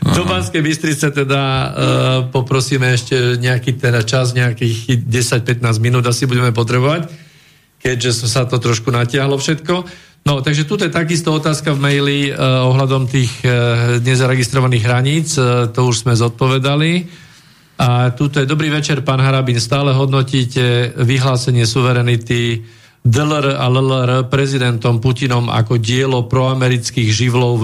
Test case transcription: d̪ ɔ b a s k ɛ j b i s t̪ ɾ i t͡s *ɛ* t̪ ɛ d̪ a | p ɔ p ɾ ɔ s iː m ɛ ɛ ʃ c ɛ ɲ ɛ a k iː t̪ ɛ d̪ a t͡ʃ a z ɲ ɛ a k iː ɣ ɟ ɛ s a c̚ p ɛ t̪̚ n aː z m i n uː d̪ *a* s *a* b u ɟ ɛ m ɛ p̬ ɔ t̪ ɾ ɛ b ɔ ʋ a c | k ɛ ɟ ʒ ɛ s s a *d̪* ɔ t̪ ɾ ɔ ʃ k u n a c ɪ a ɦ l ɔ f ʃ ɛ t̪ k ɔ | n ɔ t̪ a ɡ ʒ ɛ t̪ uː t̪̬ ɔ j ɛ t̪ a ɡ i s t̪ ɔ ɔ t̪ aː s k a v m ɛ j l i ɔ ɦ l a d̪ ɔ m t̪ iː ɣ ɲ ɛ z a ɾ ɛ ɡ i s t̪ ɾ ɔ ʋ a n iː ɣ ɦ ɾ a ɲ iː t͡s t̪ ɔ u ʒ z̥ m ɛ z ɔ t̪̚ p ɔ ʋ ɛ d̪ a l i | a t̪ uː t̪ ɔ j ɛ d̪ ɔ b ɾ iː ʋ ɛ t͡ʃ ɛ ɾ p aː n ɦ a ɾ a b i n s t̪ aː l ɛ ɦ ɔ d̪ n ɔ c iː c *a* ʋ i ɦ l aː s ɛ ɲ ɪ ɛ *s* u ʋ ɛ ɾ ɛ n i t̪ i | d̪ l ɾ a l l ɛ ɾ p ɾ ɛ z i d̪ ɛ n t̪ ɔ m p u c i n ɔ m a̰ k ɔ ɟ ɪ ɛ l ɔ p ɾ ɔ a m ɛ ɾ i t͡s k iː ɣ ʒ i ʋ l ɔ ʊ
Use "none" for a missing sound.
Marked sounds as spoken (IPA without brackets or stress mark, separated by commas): ɛ, a, i, t̪, ɛ, s